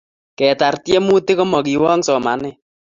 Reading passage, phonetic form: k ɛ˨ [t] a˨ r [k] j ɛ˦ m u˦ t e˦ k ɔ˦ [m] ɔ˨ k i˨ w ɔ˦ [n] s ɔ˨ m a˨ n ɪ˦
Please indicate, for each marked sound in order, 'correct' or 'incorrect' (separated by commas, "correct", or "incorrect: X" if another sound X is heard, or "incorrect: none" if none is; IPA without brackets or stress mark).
correct, incorrect: t, correct, incorrect: ŋ